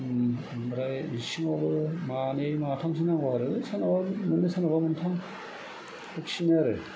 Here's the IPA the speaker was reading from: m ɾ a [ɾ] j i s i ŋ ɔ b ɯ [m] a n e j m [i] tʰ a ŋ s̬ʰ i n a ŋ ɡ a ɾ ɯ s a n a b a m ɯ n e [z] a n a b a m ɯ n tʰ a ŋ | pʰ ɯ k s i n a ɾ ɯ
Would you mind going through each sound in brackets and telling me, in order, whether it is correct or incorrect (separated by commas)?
incorrect, correct, incorrect, incorrect